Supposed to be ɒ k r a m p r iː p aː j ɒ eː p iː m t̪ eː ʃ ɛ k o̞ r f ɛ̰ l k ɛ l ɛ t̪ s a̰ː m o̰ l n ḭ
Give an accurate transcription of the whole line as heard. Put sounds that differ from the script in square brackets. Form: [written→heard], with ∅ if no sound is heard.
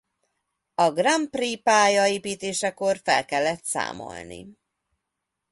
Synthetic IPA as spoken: ɒ [k→ɡ] r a m p r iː p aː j ɒ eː p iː [m→∅] t̪ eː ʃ ɛ k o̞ r f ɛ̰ l k ɛ [l→lː] ɛ t̪ s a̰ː m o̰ l n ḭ